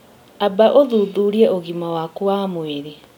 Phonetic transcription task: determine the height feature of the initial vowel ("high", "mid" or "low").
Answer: low